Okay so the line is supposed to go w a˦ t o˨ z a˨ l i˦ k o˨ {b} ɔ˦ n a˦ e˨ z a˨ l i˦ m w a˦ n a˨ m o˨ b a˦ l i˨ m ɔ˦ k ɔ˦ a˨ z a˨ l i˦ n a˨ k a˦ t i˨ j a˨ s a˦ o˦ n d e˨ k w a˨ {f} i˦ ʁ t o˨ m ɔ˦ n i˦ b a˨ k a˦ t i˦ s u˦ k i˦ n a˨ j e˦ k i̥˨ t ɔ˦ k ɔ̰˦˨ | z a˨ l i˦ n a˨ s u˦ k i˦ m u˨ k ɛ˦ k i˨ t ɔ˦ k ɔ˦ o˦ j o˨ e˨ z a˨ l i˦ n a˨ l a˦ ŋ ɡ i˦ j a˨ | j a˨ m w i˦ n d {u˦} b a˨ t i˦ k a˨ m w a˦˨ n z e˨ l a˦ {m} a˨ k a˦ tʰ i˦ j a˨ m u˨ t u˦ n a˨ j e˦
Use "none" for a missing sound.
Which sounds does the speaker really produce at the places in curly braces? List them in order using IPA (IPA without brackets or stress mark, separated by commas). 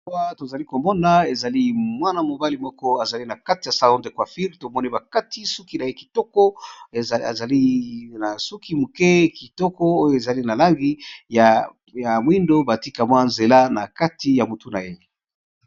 m, f, o˦, n